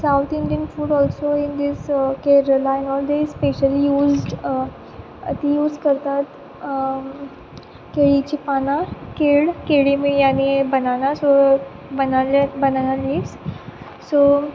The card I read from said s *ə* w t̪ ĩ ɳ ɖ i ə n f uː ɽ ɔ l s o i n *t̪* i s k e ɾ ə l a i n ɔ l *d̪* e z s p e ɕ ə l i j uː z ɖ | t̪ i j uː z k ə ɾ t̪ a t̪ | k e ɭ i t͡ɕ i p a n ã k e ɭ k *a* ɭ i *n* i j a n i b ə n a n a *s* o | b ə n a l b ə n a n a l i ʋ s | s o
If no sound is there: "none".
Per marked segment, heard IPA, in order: a, d̪, d̪, e, m, s

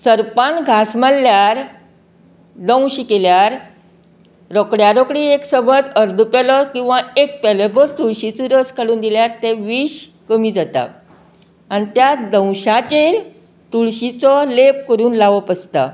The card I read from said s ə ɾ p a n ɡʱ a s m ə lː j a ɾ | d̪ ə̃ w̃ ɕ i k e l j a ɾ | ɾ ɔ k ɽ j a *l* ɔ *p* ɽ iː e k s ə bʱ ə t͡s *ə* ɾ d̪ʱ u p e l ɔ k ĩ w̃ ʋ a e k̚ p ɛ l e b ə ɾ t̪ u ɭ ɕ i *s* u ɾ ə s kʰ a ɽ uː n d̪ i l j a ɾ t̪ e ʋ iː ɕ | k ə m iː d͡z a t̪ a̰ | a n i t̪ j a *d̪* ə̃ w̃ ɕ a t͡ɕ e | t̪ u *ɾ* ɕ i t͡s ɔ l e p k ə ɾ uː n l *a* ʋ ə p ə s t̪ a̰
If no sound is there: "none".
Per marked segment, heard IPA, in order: ɾ, k, ə, t͡s, d̪, ɭ, a

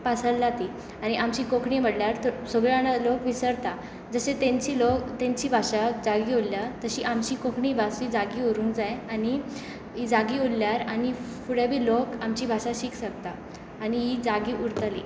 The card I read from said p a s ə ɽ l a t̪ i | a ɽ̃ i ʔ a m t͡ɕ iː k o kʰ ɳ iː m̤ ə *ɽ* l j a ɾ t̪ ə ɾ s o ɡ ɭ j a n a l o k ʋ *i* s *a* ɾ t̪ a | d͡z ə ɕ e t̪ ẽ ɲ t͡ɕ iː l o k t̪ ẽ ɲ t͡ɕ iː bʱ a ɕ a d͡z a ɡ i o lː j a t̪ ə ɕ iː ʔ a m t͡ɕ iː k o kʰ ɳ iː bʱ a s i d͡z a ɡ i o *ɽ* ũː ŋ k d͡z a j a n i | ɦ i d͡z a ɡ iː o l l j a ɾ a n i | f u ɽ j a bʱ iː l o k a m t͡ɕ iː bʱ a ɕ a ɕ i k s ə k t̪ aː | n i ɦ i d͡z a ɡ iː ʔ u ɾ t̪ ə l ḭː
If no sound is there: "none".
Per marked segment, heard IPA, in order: ɽ, i, ə, ɾ

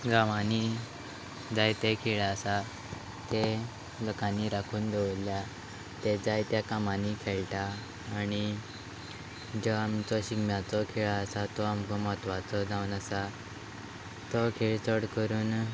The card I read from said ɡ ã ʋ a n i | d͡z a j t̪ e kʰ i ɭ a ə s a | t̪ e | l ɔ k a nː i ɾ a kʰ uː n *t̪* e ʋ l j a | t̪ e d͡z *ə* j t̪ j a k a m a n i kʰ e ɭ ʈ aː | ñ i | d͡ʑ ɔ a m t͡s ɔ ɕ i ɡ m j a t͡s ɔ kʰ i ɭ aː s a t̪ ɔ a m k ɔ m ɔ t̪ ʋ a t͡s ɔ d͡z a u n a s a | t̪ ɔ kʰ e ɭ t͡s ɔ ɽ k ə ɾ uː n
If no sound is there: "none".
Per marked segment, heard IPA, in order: d̪, a

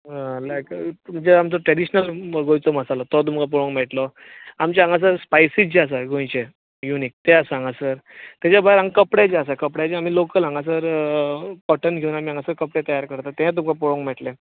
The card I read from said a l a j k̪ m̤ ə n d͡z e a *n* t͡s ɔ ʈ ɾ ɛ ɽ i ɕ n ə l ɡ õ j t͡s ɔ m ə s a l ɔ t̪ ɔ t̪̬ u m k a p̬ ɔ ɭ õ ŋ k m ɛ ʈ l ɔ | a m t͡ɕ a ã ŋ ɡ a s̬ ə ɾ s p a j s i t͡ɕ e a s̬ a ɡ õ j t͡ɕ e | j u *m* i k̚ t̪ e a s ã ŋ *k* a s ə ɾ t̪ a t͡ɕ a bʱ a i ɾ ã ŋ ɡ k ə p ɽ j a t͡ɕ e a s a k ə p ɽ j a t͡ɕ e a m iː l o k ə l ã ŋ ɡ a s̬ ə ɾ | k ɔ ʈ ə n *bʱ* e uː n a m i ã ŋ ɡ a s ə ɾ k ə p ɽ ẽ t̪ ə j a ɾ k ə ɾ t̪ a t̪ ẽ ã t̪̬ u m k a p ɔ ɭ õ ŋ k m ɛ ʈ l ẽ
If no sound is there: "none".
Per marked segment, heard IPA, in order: m, n, ɡ, ɡʱ

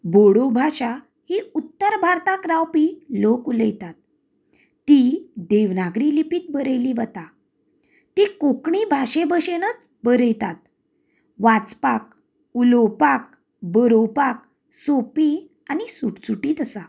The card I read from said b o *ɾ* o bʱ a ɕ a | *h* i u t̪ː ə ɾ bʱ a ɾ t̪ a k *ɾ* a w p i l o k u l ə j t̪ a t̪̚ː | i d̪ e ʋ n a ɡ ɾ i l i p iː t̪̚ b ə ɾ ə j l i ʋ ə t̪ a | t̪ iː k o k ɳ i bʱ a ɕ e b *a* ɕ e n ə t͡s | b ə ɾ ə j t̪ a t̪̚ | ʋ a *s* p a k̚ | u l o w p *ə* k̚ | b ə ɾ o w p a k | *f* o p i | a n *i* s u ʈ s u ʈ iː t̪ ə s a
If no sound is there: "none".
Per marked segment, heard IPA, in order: ɽ, h, ɾ, ə, t͡s, a, s, i

